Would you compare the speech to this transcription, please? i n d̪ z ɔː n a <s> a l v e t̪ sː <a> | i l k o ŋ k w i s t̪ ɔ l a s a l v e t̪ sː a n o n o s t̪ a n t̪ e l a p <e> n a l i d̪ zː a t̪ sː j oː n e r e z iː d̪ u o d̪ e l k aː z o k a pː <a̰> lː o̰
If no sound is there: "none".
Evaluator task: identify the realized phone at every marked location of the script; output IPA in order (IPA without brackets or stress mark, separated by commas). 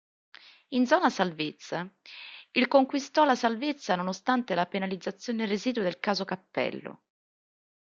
s, a, e, ɛ̰